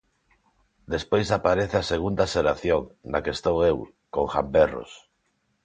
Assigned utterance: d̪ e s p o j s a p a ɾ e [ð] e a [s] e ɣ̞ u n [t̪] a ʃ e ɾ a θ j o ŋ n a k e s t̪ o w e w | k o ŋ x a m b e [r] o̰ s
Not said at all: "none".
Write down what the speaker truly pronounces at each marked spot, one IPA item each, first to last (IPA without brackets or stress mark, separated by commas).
θ, s, d̪, r